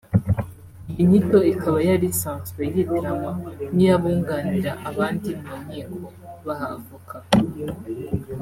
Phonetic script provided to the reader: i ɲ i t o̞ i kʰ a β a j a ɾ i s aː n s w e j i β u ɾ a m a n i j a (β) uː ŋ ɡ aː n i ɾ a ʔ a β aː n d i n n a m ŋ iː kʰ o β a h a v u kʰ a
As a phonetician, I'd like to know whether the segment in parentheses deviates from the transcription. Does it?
no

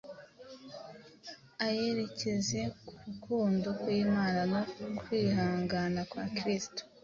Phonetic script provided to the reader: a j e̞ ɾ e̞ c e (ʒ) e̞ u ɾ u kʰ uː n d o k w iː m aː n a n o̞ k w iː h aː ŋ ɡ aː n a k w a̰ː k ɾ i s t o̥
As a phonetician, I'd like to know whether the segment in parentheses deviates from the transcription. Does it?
yes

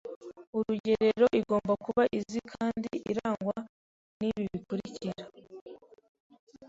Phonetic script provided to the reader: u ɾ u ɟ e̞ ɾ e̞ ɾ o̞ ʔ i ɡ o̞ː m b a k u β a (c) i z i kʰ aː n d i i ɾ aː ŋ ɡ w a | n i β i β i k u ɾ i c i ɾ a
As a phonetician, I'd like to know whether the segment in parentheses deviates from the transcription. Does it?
yes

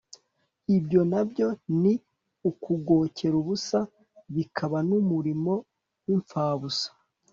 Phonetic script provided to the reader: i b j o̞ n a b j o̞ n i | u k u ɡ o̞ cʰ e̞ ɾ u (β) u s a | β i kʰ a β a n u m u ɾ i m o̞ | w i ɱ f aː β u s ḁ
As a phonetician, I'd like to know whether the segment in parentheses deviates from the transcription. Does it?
no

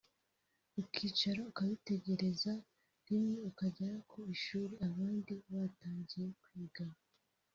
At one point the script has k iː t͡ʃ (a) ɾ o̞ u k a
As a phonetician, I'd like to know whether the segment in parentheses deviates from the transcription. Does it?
no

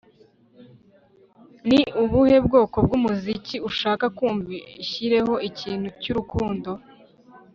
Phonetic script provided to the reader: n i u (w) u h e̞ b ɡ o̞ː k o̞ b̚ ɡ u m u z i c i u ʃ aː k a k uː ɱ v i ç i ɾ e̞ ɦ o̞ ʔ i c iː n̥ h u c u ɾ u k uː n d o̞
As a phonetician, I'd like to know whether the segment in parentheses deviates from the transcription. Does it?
yes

